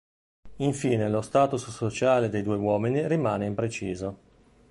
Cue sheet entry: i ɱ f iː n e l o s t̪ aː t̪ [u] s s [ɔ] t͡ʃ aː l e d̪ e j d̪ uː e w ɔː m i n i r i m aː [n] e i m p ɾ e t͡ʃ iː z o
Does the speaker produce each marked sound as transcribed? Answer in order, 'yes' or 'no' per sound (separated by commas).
yes, no, yes